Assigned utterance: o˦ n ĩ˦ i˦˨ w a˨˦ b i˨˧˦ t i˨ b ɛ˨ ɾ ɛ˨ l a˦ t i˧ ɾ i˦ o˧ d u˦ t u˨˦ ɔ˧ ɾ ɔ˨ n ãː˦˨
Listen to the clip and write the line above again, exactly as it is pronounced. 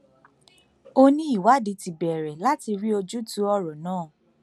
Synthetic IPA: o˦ n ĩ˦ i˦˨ w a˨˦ d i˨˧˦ t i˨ b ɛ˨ ɾ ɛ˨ l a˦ t i˧ ɾ i˦ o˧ d͡ʒ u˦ t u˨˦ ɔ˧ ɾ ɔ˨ n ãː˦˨

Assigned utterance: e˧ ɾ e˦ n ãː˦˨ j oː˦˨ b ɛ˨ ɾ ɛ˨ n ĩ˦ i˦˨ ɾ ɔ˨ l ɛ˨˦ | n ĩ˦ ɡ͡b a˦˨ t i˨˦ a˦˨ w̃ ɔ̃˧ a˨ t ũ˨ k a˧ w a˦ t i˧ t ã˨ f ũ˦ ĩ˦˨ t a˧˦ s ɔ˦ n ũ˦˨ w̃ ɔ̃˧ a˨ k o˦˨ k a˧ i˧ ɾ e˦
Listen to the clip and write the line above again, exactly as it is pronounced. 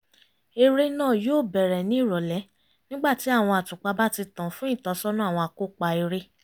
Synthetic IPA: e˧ ɾ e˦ n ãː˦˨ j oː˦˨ b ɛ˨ ɾ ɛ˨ n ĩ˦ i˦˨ ɾ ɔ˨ l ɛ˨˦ | n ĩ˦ ɡ͡b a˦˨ t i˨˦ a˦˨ w̃ ɔ̃˧ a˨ t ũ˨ k͡p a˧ b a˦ t i˧ t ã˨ f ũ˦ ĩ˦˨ t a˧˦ s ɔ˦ n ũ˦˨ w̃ ɔ̃˧ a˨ k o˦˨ k͡p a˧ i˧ ɾ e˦

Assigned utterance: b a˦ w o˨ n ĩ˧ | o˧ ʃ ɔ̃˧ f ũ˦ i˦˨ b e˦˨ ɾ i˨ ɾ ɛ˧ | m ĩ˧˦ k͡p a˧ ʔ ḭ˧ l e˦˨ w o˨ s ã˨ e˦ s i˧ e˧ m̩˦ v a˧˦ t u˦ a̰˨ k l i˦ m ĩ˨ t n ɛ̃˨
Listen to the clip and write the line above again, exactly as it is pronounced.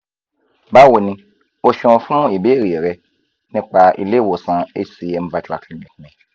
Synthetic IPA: b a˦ w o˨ n ĩ˧ | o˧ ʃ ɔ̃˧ f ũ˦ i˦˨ b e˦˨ ɾ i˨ ɾ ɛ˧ | n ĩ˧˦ k͡p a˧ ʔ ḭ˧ l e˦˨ w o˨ s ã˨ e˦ s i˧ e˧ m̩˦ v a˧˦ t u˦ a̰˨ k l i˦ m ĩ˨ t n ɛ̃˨

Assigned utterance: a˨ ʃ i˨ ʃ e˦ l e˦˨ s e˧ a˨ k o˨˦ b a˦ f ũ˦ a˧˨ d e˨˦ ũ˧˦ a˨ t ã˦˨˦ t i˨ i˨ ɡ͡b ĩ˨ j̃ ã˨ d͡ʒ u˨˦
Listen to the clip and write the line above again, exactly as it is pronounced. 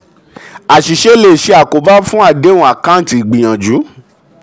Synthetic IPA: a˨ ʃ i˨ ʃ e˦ l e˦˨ ʃ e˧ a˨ k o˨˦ b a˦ f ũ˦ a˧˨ d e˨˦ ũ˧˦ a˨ k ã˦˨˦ t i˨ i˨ ɡ͡b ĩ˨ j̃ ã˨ d͡ʒ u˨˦

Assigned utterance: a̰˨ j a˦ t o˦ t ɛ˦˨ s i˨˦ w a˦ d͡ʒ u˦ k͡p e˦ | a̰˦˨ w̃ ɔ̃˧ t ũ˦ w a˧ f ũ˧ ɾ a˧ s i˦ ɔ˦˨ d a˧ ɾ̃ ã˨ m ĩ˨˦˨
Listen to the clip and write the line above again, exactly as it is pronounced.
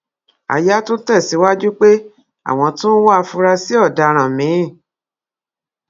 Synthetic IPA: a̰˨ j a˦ t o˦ t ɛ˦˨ s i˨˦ w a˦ d͡ʒ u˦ k͡p e˦ | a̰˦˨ w̃ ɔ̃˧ t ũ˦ w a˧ f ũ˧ ɾ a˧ s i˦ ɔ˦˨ d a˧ ɾ̃ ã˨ m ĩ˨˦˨

